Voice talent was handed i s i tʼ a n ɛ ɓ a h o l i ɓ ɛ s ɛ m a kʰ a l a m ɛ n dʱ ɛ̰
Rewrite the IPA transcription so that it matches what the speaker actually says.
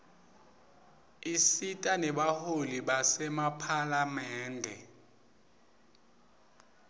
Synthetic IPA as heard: i s i tʼ a n ɛ ɓ a h o l i ɓ a s ɛ m a pʰ a l a m ɛː n dʱ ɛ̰